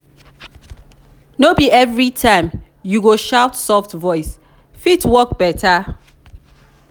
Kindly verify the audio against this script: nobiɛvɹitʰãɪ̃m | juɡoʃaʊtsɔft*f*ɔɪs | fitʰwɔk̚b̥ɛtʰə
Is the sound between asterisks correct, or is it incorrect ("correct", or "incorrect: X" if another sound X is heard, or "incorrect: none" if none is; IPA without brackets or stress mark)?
incorrect: v